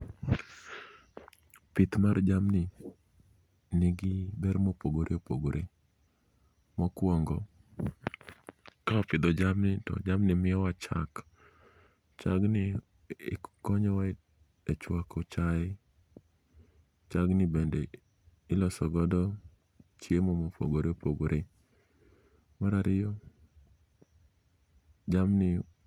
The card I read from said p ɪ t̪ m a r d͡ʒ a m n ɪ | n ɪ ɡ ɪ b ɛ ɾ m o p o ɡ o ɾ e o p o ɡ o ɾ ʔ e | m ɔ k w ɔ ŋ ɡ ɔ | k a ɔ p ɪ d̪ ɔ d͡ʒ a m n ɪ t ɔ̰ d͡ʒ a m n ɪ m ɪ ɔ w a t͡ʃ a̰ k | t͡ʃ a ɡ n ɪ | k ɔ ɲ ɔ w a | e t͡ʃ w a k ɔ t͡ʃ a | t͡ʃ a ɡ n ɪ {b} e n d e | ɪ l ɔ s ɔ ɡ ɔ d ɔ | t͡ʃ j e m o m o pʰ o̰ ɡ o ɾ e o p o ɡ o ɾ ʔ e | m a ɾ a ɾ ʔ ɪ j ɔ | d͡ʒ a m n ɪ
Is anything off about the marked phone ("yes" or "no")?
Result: no